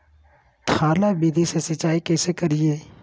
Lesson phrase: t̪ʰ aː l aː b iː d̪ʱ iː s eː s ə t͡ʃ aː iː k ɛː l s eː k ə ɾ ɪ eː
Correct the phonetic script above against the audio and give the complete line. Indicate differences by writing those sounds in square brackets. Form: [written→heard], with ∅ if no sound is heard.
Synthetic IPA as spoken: t̪ʰ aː l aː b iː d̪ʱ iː s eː s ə t͡ʃ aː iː k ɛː [l→∅] s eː k ə ɾ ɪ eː